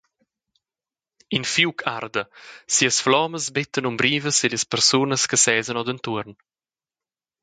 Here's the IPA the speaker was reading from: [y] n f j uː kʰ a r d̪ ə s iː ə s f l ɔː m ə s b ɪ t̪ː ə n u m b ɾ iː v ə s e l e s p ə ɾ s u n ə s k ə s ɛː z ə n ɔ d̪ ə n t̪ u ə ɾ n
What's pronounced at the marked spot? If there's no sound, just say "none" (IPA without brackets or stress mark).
i